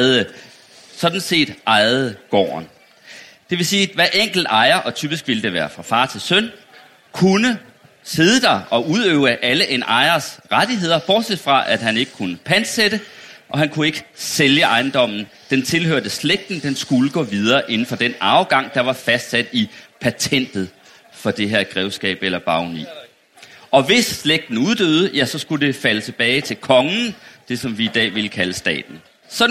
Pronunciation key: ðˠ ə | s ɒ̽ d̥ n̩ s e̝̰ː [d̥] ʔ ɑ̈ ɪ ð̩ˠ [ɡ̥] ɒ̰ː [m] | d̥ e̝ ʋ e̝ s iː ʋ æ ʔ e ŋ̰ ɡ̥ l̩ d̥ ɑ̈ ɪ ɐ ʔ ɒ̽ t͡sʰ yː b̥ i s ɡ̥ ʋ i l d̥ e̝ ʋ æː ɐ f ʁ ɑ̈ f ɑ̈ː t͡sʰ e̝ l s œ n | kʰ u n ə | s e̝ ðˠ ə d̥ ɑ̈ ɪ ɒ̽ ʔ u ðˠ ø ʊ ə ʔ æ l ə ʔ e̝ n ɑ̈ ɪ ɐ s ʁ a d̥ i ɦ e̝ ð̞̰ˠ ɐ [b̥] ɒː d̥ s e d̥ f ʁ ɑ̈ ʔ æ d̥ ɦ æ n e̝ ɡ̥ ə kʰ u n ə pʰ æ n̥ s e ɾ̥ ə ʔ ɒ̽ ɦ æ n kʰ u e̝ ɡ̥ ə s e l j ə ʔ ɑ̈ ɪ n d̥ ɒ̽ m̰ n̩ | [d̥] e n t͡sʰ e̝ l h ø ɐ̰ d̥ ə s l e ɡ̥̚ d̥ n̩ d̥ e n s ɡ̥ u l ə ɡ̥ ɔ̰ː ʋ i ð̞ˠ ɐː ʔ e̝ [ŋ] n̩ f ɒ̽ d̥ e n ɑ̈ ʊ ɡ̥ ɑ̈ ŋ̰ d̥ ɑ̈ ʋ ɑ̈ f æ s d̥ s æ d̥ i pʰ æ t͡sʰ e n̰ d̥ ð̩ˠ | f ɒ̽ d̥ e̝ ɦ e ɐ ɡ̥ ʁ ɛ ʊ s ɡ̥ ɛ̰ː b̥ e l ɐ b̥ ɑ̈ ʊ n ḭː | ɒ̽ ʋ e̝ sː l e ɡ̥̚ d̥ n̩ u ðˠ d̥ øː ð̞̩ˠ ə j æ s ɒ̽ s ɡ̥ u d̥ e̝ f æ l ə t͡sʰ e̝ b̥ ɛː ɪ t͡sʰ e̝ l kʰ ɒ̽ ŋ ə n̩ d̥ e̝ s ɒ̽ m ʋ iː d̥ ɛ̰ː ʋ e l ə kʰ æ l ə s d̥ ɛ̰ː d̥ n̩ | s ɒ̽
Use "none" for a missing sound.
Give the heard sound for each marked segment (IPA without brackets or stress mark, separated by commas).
d̥, ɡ̥, n, b̥, d̥, n